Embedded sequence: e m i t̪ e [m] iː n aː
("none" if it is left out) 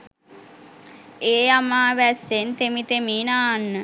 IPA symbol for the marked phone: m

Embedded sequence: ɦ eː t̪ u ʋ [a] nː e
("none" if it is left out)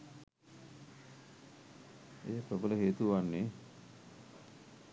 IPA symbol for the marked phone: a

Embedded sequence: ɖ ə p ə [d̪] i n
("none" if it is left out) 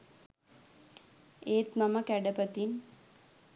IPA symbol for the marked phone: t̪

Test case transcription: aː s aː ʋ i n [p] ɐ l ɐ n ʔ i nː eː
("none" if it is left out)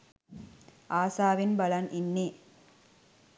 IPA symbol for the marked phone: b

